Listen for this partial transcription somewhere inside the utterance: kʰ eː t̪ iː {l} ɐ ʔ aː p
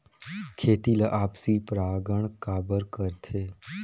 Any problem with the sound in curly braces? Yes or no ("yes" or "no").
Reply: no